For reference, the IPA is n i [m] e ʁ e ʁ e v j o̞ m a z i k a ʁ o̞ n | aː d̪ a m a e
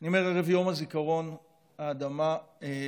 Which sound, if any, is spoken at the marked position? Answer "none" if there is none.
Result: m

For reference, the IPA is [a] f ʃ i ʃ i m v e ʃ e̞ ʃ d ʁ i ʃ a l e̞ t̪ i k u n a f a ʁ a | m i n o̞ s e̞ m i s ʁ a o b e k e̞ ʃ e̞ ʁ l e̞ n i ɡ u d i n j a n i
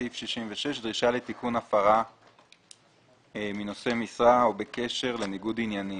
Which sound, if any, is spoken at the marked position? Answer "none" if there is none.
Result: i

